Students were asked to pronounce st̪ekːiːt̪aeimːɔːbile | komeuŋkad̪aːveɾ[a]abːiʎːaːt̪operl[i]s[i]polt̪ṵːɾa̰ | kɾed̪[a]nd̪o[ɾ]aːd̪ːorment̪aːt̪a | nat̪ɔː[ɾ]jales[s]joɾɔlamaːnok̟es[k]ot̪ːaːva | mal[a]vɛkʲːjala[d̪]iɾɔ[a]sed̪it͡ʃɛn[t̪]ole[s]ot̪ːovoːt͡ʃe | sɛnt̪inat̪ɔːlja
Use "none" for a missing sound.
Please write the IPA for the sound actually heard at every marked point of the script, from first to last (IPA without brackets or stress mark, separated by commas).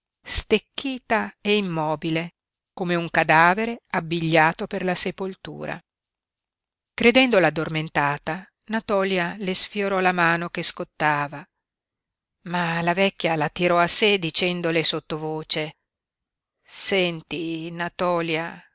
e, a, e, ɛ, l, l, f, k, a, t̪, a, d̪, s